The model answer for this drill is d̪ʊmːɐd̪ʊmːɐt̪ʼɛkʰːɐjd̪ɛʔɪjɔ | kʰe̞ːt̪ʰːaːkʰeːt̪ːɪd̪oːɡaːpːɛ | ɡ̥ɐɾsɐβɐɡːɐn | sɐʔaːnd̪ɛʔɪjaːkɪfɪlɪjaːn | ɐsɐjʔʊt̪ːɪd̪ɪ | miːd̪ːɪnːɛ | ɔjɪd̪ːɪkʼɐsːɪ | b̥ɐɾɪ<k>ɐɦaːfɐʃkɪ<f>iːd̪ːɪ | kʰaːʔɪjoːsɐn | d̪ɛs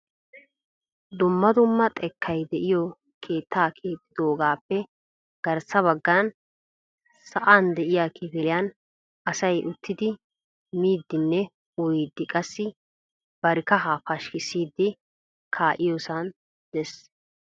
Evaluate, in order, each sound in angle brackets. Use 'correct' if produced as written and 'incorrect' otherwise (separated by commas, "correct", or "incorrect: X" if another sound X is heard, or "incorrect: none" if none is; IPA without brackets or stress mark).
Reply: correct, incorrect: s